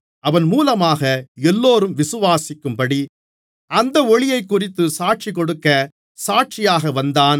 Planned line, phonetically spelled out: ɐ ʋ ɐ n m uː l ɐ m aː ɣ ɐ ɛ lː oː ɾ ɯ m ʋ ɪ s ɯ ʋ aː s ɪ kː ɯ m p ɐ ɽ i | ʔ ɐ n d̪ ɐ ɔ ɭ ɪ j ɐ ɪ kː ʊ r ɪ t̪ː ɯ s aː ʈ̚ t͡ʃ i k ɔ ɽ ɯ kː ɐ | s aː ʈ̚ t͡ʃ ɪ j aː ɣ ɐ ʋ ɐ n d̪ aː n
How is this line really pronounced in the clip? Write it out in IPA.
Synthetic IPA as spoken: ɐ ʋ ɐ n m uː l ɐ m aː ɣ ɐ ɛ lː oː ɾ ɯ m ʋ ɪ s ɯ ʋ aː s ɪ kː ɯ m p ɐ ɽ i | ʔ ɐ n d̪ ɐ ɔ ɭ ɪ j ɐ ɪ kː ʊ r ɪ t̪ː ɯ s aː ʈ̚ t͡ʃ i k ɔ ɽ ɯ kː ɐ | s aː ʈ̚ t͡ʃ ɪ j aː ɣ ɐ ʋ ɐ n d̪ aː n